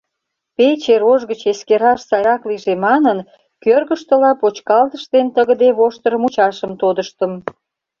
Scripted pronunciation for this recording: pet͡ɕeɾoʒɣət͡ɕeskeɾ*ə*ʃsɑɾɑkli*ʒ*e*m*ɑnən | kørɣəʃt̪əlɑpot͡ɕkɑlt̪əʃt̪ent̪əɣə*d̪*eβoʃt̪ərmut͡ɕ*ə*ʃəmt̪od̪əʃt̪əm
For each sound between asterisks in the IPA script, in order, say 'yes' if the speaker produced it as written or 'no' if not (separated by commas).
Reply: no, yes, yes, yes, no